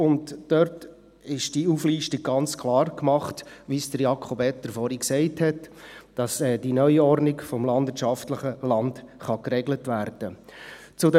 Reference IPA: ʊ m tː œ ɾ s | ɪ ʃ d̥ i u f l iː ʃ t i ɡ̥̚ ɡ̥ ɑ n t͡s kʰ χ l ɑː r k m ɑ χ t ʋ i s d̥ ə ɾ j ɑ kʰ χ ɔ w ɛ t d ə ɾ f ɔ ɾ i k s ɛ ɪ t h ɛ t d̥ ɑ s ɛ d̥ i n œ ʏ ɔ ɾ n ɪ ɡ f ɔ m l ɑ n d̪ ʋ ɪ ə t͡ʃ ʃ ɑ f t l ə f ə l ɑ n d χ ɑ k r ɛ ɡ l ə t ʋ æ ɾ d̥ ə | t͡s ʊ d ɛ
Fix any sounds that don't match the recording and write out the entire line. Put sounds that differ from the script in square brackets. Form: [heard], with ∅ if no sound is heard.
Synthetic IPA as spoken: ʊ [n] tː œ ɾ [t] | ɪ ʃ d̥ i u f l iː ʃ t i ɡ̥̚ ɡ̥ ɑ n t͡s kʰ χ l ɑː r k m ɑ χ t ʋ i s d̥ ə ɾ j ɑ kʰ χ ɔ [b] ɛ t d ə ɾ f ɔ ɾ i k s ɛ ɪ t h ɛ t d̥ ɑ s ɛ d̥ i n œ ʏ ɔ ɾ n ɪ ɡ f ɔ m l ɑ n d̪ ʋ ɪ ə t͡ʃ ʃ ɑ f t l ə [χ] ə l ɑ n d χ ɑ k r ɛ ɡ l ə t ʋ æ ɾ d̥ ə | t͡s ʊ d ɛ